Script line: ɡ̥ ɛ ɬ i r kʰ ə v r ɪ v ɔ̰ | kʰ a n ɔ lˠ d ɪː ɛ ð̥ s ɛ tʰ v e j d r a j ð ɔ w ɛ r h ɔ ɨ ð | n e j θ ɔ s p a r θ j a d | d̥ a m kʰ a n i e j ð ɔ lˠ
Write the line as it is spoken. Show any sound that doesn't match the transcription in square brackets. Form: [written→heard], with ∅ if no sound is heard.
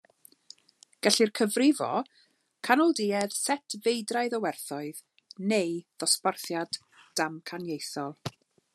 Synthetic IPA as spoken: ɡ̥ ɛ ɬ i r kʰ ə v r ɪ v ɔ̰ | kʰ a n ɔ lˠ d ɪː ɛ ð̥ s ɛ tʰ v e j d r a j ð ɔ w ɛ r [h→θ] ɔ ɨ ð | n e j [θ→ð] ɔ s p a r θ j a d | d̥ a m kʰ a n [i→j] e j [ð→θ] ɔ lˠ